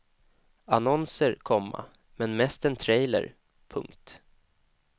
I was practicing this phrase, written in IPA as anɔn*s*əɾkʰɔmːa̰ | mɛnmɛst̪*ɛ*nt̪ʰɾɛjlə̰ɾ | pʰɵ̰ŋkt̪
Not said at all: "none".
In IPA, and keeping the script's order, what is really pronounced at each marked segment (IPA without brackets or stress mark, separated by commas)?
s, ɛ